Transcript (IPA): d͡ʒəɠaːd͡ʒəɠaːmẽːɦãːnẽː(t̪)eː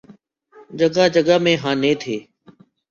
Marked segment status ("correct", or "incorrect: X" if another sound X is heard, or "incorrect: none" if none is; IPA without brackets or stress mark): incorrect: t̪ʰ